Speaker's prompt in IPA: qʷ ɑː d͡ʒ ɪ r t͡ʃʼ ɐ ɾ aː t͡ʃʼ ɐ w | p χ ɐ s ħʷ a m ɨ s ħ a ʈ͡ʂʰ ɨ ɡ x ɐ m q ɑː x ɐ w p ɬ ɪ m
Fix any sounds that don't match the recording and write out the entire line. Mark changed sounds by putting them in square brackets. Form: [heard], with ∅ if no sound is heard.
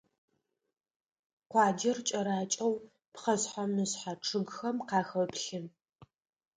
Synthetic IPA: qʷ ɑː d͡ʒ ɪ r t͡ʃʼ ɐ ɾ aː t͡ʃʼ ɐ w | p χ ɐ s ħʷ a m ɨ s ħ a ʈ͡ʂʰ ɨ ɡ x ɐ m q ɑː x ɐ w p ɬ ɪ [n]

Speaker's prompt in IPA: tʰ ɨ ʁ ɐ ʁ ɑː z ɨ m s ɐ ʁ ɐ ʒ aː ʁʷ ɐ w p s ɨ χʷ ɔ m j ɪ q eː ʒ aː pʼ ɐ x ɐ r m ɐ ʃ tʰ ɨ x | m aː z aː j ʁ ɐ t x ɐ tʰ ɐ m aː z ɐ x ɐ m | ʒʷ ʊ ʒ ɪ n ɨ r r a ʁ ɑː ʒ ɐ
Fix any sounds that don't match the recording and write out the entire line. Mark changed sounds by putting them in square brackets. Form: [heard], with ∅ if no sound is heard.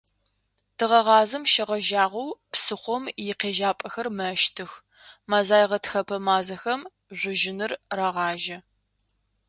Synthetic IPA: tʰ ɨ ʁ ɐ ʁ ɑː z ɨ m [ʃ] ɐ ʁ ɐ ʒ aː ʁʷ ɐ w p s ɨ χʷ ɔ m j ɪ q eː ʒ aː pʼ ɐ x ɐ r m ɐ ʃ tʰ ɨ x | m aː z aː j ʁ ɐ t x ɐ [pʰ] ɐ m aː z ɐ x ɐ m | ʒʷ ʊ ʒ ɪ n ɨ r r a ʁ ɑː ʒ ɐ

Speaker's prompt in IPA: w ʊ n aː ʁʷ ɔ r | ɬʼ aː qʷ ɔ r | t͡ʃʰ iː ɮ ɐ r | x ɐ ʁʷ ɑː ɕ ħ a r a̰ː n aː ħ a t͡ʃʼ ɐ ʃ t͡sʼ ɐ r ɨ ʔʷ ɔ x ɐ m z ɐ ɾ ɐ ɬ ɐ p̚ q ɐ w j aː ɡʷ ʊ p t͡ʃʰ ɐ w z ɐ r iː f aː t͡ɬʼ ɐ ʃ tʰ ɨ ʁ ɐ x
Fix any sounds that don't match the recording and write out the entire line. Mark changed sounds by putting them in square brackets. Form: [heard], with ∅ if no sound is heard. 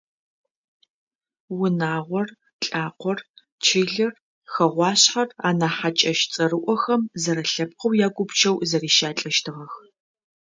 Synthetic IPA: w ʊ n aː ʁʷ ɔ r | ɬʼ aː qʷ ɔ r | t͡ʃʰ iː ɮ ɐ r | x ɐ ʁʷ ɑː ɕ ħ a r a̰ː n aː ħ a t͡ʃʼ ɐ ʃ t͡sʼ ɐ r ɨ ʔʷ ɔ x ɐ m z ɐ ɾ ɐ ɬ ɐ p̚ q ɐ w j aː ɡʷ ʊ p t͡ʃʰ ɐ w z ɐ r iː [ʃ] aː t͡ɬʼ ɐ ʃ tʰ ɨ ʁ ɐ x

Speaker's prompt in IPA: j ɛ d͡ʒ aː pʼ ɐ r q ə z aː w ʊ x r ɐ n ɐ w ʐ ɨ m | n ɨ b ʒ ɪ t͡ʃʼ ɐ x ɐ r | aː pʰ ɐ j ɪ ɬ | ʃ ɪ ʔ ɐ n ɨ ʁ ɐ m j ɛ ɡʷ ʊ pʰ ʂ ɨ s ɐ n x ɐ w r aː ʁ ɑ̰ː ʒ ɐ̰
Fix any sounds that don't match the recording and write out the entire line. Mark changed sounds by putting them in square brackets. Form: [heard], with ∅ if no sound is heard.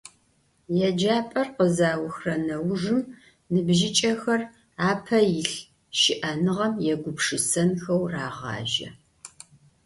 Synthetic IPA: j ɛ d͡ʒ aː pʼ ɐ r q ə z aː w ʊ x r ɐ n ɐ w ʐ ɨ m | n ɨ b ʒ ɪ t͡ʃʼ ɐ x ɐ r | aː pʰ ɐ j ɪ ɬ | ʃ ɪ ʔ ɐ n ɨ ʁ ɐ m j ɛ ɡʷ ʊ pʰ ʂ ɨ s ɐ n x ɐ w r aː ʁ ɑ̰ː ʒ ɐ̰

